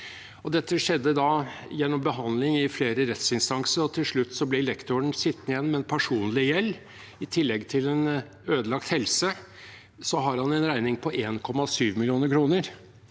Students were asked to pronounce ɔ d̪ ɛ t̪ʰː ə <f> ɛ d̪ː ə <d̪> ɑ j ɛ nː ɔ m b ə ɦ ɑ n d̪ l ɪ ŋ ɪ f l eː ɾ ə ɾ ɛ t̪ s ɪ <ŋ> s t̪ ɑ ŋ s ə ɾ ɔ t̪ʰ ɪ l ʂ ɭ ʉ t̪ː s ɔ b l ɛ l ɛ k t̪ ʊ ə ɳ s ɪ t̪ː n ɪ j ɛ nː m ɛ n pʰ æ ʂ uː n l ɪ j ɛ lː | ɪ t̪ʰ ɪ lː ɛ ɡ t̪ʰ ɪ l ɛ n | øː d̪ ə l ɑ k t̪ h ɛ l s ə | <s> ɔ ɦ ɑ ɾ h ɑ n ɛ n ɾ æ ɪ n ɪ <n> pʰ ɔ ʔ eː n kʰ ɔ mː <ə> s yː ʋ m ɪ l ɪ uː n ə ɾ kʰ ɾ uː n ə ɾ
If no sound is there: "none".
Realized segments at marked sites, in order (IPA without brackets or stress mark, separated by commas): ʂ, d̪, n, s, ŋ, ɑ